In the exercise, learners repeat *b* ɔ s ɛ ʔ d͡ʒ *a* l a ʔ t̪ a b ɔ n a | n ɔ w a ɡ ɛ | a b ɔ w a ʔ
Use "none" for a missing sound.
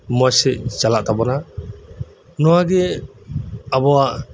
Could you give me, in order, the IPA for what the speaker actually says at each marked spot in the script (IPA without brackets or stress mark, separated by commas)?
m, a